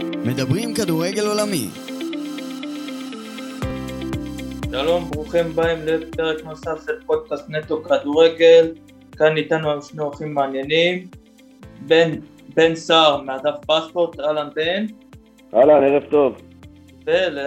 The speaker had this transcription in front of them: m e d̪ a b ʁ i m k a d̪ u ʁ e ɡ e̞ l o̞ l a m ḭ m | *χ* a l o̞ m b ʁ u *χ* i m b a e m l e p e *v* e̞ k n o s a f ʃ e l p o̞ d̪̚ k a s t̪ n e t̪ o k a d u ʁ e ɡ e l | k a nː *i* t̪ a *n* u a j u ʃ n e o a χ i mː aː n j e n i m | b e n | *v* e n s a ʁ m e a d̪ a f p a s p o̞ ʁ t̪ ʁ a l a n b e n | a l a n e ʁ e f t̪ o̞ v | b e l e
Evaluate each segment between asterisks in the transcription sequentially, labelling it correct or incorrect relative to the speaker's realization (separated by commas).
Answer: incorrect, correct, incorrect, correct, correct, incorrect